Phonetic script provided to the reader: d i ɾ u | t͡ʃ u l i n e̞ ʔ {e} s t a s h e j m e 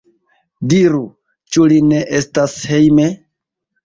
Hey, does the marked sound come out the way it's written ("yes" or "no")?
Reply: yes